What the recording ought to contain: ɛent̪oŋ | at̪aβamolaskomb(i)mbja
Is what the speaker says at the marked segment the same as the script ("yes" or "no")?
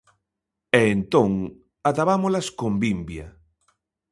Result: yes